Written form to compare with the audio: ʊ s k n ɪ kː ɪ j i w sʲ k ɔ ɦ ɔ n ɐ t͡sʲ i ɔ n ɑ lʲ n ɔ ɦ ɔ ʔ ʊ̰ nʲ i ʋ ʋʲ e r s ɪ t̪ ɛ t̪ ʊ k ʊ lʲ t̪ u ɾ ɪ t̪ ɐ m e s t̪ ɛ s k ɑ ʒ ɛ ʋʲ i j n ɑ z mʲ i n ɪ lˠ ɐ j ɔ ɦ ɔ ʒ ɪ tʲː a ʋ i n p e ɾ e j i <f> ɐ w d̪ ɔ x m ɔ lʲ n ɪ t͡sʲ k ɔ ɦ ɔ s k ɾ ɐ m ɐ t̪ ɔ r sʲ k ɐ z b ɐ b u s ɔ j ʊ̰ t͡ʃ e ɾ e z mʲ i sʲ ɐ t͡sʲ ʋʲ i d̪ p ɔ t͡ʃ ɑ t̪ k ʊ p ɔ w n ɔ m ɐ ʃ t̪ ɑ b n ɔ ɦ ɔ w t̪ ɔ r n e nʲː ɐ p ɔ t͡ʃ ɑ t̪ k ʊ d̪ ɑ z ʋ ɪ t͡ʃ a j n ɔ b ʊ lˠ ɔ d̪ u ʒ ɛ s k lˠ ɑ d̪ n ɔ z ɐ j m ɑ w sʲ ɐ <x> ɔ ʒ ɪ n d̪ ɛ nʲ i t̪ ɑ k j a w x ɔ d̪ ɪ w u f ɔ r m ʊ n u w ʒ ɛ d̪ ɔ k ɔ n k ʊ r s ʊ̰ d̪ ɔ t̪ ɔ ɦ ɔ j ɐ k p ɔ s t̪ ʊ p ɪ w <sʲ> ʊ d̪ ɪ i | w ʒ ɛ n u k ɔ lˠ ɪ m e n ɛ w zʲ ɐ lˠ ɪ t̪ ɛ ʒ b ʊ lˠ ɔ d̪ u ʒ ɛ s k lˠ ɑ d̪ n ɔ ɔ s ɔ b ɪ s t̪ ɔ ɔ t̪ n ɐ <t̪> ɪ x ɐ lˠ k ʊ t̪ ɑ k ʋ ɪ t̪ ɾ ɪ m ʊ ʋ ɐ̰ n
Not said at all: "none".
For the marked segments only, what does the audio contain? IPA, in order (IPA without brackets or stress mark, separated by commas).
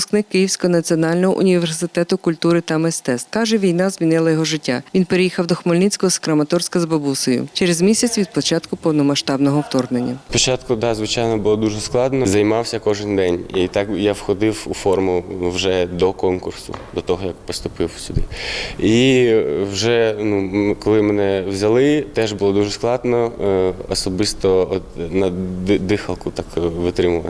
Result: x, k, sʲ, d̪